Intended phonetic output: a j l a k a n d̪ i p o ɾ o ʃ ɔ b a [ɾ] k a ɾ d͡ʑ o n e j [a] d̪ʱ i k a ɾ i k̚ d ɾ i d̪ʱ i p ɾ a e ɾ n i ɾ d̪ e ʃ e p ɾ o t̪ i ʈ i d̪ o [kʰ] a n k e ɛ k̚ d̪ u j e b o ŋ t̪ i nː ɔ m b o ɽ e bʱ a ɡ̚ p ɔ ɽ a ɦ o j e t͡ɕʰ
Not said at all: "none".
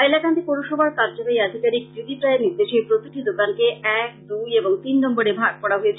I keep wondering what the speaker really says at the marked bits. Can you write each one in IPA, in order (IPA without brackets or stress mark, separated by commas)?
ɾ, a, k